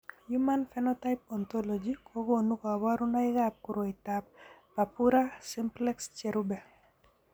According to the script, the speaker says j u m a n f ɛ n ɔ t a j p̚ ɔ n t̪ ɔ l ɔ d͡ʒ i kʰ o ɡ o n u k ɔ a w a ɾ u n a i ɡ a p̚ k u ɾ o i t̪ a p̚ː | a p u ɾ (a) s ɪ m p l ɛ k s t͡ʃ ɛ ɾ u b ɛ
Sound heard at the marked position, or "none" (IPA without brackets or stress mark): a